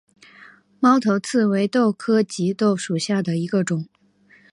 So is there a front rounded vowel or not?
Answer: no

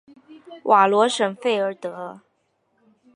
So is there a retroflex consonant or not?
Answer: yes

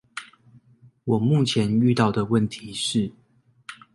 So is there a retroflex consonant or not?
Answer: yes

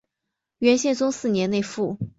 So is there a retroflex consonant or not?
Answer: no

